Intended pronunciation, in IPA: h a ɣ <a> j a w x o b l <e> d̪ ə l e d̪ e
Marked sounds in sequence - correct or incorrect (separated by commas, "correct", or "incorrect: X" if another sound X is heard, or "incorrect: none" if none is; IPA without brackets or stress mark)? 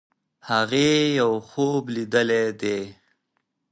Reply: incorrect: e, incorrect: i